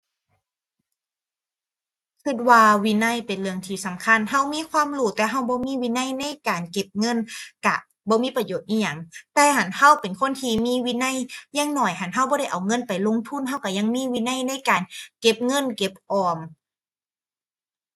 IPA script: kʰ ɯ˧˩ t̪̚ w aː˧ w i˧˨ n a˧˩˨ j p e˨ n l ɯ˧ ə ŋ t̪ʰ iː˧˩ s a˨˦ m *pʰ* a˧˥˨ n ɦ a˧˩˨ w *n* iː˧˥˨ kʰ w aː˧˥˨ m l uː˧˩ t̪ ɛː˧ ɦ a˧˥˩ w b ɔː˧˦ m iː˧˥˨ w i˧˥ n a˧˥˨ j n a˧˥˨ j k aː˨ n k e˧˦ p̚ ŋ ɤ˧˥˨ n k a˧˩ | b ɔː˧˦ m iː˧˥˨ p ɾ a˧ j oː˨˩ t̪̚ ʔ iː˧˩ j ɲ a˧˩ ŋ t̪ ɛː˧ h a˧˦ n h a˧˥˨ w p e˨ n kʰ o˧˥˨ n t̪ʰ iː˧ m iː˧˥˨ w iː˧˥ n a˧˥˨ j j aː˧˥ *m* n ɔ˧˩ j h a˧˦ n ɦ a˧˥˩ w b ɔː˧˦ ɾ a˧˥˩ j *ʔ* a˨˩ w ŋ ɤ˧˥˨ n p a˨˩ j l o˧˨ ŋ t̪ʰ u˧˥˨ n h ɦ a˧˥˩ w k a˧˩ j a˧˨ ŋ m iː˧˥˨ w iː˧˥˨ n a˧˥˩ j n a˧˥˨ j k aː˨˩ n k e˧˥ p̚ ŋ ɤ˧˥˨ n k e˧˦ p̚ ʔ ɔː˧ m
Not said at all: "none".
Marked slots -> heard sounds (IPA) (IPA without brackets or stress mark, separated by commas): kʰ, m, ŋ, ʔ